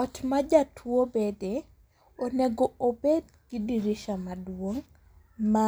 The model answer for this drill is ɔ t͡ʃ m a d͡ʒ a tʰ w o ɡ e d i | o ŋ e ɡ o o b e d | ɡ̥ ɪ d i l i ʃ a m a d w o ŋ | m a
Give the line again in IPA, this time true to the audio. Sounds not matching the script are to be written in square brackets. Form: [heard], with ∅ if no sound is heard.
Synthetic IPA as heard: ɔ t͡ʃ m a d͡ʒ a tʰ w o [b] e d [e] | o [n] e ɡ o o b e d | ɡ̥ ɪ d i [ɾ] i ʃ a m a d w o ŋ | m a